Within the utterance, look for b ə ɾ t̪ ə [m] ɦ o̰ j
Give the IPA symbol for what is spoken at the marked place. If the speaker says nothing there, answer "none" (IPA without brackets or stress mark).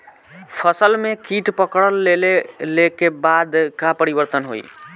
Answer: n